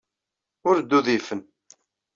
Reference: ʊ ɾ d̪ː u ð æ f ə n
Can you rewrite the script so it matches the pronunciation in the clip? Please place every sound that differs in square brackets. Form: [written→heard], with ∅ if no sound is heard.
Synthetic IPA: ʊ ɾ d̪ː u ð [æ→i] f ə n